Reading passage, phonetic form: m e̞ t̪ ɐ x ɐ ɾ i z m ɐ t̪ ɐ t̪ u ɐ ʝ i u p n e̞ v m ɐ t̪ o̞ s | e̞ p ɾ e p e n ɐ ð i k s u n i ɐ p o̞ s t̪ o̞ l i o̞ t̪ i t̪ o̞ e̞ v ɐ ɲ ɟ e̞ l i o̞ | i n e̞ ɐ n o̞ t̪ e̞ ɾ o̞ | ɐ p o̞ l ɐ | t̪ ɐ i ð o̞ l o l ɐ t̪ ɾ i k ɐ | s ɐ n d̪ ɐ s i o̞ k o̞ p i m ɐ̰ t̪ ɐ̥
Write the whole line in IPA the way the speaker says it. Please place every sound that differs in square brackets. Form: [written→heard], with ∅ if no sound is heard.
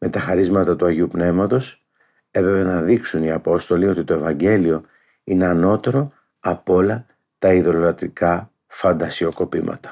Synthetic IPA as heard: m e̞ t̪ ɐ x ɐ ɾ i z m ɐ t̪ ɐ t̪ u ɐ ʝ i u p n e̞ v m ɐ t̪ o̞ s | e̞ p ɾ e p e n ɐ ð i k s u n i ɐ p o̞ s t̪ o̞ l i o̞ t̪ i t̪ o̞ e̞ v ɐ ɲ ɟ e̞ l i o̞ | i n e̞ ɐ n o̞ t̪ e̞ ɾ o̞ | ɐ p o̞ l ɐ | t̪ ɐ i ð o̞ l o l ɐ t̪ ɾ i k ɐ | [s→f] ɐ n d̪ ɐ s i o̞ k o̞ p i m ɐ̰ t̪ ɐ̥